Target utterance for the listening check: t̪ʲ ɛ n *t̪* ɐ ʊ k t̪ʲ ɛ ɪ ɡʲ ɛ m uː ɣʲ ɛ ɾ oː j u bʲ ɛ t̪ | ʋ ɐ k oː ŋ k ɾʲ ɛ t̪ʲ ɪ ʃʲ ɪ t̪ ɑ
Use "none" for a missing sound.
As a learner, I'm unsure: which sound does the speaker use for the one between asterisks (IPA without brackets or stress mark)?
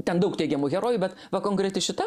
d̪